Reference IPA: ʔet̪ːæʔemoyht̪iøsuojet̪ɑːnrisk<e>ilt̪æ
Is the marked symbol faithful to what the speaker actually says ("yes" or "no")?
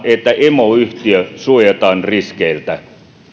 yes